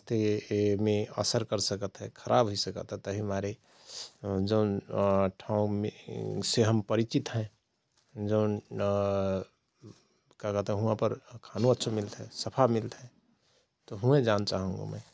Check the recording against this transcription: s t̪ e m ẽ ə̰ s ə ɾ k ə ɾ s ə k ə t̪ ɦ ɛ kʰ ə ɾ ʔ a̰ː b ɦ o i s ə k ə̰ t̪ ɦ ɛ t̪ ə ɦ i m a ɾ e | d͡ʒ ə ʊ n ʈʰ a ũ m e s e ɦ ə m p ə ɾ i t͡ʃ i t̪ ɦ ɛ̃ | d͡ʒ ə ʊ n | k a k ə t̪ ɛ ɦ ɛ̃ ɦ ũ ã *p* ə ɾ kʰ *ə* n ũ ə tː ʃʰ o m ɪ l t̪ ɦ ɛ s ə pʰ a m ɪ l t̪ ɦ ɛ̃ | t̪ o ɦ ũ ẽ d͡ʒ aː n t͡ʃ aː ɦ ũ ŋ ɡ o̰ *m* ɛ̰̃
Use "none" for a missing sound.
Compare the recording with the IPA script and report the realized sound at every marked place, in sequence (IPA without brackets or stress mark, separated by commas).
p, a, m